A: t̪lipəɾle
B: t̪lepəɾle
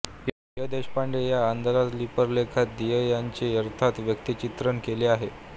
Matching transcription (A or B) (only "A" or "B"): A